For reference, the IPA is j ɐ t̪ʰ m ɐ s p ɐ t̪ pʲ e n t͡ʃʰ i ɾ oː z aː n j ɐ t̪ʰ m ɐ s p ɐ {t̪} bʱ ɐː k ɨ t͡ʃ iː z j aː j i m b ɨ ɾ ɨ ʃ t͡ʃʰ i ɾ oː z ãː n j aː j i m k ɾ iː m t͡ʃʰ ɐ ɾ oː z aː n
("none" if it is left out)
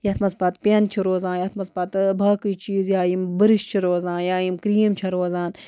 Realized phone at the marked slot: t̪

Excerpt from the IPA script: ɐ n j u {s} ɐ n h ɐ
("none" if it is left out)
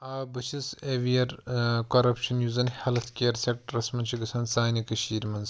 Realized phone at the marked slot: z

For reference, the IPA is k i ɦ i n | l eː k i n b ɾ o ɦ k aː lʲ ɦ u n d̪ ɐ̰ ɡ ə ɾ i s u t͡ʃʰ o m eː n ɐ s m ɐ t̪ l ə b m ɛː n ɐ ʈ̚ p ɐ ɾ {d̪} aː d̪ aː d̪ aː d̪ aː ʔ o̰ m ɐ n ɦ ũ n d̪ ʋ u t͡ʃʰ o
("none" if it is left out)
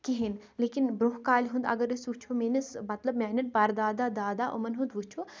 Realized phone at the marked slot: d̪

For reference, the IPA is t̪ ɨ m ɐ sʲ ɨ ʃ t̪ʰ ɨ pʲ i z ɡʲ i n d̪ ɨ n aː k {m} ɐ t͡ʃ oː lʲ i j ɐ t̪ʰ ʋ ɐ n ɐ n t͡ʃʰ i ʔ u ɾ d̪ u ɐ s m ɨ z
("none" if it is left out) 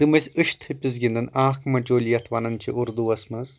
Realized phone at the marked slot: m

